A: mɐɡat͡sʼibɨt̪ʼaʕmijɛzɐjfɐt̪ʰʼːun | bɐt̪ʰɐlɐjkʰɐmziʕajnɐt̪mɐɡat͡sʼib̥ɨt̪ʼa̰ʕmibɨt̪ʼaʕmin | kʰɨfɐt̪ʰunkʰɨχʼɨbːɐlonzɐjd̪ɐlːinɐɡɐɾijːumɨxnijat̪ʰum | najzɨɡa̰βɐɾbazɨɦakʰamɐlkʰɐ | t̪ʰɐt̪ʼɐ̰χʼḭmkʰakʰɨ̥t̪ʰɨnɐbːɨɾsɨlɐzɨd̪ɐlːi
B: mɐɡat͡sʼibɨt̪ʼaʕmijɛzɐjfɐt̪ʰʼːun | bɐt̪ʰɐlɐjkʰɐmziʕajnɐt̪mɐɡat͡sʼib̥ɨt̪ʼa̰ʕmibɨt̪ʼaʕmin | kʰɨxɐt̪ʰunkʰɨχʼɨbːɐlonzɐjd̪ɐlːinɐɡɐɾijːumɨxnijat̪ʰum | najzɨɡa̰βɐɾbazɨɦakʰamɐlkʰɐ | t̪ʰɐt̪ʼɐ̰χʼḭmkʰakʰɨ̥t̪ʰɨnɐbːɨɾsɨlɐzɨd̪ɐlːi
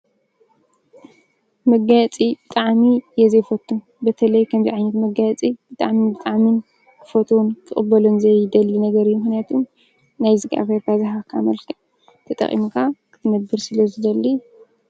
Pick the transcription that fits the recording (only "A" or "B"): A